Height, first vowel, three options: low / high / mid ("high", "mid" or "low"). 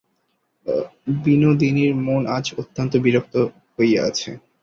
high